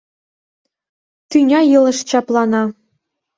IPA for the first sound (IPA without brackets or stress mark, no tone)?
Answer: t̪